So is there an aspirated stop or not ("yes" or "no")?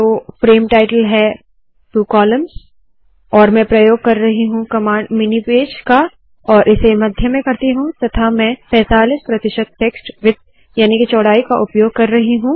yes